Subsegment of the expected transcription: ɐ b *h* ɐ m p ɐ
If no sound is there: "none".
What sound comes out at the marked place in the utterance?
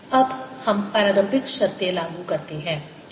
h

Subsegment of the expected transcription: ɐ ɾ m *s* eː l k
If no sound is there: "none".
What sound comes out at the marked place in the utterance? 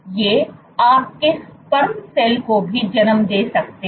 s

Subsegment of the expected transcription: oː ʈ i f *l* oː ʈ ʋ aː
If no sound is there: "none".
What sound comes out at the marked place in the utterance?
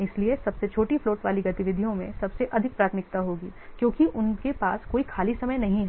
l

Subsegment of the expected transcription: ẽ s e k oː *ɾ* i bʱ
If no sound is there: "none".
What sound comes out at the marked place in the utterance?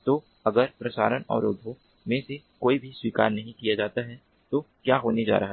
none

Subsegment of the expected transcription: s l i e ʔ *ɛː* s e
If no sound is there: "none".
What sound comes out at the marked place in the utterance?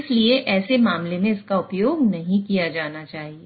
ɛː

